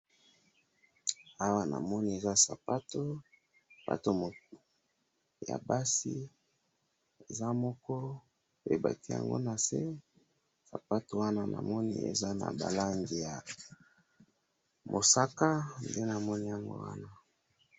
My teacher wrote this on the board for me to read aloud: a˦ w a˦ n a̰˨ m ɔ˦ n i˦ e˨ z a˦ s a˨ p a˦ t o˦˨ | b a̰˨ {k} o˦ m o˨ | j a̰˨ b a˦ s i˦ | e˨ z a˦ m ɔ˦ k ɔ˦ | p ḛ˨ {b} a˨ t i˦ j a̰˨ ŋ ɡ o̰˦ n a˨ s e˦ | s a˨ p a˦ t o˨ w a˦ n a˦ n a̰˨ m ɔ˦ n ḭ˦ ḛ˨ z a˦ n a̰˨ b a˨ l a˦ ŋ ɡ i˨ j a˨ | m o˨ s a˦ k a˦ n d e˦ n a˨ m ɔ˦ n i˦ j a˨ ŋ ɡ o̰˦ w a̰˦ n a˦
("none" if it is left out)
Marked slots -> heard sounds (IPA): t, b

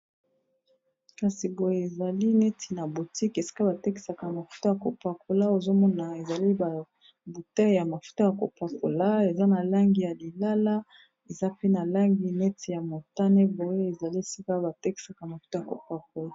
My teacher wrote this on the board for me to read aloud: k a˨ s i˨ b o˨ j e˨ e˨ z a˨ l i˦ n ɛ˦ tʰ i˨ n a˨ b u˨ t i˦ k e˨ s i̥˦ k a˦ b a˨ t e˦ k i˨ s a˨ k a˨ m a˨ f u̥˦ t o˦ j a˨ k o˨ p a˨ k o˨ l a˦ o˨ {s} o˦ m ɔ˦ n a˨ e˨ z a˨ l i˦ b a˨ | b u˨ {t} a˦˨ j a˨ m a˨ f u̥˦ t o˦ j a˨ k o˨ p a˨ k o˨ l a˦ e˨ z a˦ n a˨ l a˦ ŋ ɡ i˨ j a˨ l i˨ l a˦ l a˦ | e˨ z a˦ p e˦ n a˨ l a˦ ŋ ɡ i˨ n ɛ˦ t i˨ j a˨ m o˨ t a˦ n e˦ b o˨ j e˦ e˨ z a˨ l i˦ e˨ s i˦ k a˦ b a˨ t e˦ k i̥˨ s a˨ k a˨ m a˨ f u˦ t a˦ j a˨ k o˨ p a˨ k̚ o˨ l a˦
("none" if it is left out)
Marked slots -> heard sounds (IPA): z, t

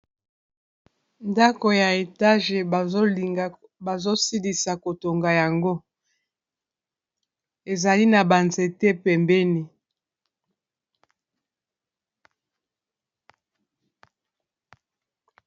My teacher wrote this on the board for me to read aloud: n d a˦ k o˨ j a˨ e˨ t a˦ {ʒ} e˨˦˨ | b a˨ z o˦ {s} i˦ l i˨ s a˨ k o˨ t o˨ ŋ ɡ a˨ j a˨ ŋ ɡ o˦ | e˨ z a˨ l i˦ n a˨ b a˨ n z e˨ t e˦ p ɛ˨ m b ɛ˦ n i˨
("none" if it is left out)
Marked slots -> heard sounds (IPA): ʒ, s

